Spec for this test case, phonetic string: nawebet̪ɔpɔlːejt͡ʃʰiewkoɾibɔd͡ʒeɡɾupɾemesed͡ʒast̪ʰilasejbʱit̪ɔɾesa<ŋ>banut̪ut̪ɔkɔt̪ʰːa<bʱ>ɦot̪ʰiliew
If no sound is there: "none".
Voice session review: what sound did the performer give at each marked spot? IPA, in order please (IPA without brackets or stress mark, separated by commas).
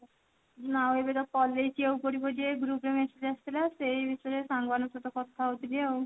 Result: ŋ, none